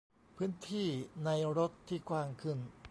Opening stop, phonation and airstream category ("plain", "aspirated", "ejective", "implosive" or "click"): aspirated